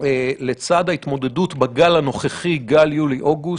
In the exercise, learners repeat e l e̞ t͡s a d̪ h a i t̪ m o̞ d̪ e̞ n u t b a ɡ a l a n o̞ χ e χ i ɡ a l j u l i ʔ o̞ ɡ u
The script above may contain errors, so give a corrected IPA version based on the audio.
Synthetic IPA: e l e̞ t͡s a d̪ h a i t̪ m o̞ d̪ e̞ d u t b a ɡ a l a n o̞ χ e χ i ɡ a l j u l i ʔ o̞ ɡ u